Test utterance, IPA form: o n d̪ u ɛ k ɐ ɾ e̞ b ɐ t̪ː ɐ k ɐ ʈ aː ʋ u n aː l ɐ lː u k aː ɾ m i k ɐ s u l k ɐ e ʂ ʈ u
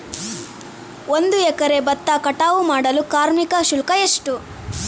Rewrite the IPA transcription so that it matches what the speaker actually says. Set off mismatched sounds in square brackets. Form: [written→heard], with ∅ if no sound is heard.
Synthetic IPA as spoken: o n d̪ u ɛ k ɐ ɾ e̞ b ɐ t̪ː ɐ k ɐ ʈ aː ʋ u [n→m] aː [l→ɽ] ɐ [lː→l] u k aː ɾ m i k ɐ [s→ʃ] u l k ɐ e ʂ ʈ u